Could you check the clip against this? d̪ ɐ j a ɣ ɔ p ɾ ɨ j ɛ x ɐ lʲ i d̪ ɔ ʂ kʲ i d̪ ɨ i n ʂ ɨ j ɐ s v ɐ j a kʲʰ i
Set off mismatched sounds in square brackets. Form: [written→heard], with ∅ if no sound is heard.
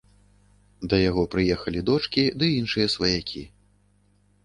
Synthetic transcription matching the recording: d̪ ɐ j a ɣ ɔ p ɾ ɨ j ɛ x ɐ lʲ i d̪ ɔ [ʂ→t͡ʂ] kʲ i d̪ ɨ i n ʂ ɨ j ɐ s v ɐ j a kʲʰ i